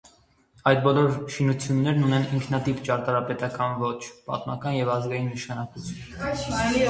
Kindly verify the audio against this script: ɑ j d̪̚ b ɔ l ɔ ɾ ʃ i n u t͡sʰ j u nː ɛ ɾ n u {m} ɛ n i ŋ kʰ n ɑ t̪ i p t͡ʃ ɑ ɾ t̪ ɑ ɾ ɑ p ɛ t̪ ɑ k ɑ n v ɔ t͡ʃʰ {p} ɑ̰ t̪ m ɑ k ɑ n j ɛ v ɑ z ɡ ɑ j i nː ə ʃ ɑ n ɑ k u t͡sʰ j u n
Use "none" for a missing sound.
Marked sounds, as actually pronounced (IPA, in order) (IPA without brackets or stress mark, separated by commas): n, p